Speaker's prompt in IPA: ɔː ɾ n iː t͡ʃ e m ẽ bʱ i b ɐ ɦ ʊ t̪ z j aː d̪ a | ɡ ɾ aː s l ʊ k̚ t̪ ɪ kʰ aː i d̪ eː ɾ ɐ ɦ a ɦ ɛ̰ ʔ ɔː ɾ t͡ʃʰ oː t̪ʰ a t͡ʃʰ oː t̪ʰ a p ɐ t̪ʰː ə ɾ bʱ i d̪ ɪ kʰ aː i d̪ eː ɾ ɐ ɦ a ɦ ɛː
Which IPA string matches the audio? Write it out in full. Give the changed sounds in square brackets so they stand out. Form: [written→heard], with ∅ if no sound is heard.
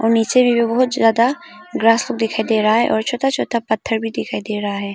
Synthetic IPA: ɔː ɾ n iː t͡ʃ e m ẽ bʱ i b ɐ ɦ ʊ t̪ z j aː d̪ a | ɡ ɾ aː s l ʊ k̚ [t̪→d̪] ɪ kʰ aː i d̪ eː ɾ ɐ ɦ a ɦ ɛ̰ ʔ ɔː ɾ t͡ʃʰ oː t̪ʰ a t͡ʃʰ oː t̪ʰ a p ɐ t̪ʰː ə ɾ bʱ i d̪ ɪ kʰ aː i d̪ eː ɾ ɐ ɦ a ɦ ɛː